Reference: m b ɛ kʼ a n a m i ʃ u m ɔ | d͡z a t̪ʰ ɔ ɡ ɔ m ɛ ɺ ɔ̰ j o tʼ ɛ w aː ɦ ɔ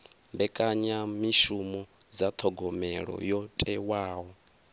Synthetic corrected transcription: m b ɛ kʼ a ɲ a m i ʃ u m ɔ | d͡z a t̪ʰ ɔ ɡ ɔ m ɛ ɺ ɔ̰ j ɔ tʼ ɛ w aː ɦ ɔ